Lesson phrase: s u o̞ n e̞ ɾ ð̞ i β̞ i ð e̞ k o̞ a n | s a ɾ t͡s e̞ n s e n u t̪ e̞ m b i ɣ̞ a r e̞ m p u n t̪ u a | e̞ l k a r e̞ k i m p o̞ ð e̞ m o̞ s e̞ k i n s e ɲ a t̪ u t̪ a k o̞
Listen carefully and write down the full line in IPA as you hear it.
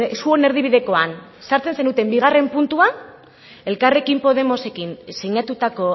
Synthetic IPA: s u o̞ n e̞ ɾ ð̞ i β̞ i ð e̞ k o̞ a n | s a ɾ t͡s e̞ n s e n u t̪ e̞ m b i ɣ̞ a r e̞ m p u n t̪ u a | e̞ l k a r e̞ k i m p o̞ ð e̞ m o̞ s e̞ k i n s e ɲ a t̪ u t̪ a k o̞